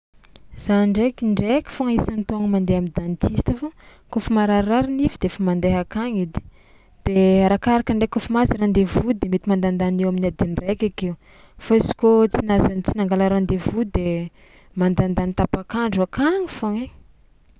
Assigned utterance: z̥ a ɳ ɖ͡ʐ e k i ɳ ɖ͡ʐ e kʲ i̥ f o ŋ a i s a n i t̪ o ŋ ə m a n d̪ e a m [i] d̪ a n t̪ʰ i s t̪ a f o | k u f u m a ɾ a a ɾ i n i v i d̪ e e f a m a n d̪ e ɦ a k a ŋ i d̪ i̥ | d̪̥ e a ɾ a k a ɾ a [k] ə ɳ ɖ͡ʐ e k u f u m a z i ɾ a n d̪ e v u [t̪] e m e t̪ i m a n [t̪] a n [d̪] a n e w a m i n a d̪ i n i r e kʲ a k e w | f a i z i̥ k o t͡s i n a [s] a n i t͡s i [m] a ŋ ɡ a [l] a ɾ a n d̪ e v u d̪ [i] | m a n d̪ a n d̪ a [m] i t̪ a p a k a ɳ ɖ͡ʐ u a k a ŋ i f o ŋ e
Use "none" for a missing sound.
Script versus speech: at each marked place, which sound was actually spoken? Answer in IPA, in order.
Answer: i, k, d̪, d̪, d̪, z, n, l, e, n

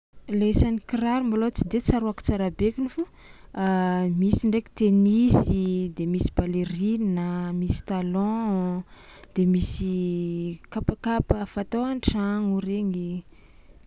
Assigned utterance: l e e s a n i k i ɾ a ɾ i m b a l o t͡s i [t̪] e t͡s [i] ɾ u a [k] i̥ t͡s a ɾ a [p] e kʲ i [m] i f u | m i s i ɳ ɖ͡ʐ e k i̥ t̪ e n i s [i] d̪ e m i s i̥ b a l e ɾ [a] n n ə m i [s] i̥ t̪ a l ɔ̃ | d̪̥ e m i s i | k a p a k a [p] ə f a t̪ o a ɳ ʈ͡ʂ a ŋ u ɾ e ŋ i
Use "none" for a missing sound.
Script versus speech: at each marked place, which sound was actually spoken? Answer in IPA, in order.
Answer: d̪, a, k, b, n, i, i, s, p

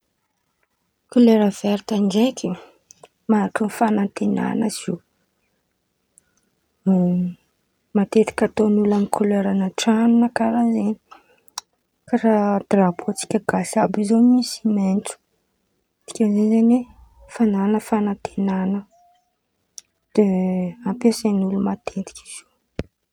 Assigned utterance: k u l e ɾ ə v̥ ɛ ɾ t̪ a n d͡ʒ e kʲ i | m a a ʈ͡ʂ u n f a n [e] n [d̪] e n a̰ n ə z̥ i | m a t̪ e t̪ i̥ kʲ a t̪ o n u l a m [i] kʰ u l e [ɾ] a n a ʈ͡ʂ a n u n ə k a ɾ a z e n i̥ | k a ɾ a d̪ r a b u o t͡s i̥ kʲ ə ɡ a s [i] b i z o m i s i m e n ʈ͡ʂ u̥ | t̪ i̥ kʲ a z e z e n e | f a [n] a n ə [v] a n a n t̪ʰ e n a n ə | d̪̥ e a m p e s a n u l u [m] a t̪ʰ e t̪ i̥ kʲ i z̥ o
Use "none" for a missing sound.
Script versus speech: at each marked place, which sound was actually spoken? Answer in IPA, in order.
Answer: a, t̪, i, ɾ, a, n, f, m

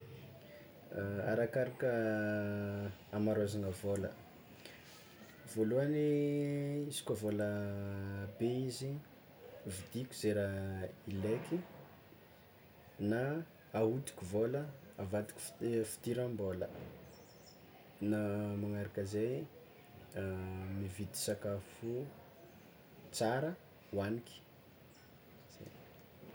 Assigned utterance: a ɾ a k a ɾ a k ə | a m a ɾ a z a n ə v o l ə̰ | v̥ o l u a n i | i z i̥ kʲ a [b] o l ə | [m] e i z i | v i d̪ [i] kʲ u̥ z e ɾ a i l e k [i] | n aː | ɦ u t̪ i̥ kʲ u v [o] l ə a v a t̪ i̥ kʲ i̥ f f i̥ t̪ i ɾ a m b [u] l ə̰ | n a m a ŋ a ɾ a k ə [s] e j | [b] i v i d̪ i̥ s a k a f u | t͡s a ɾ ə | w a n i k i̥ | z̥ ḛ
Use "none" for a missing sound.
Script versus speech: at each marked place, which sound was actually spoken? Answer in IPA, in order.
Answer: v, b, i, i, o, o, z, m

